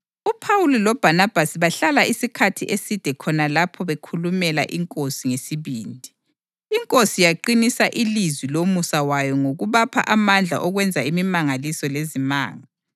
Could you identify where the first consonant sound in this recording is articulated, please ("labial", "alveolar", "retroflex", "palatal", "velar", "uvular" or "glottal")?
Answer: labial